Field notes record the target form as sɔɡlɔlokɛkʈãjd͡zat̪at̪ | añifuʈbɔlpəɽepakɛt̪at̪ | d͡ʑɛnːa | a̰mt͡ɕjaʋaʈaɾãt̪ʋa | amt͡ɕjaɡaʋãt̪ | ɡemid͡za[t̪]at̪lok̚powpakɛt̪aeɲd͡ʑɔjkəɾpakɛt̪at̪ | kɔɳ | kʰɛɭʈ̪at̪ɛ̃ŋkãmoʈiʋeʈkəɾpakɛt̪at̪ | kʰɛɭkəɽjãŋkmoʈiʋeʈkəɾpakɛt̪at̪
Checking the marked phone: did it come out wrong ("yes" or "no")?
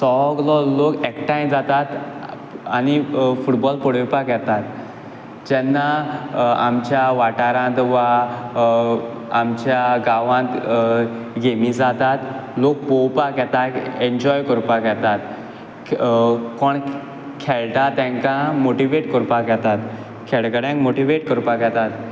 no